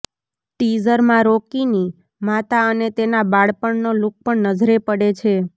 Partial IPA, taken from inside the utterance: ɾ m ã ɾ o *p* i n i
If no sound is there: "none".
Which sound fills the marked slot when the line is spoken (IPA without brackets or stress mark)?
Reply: k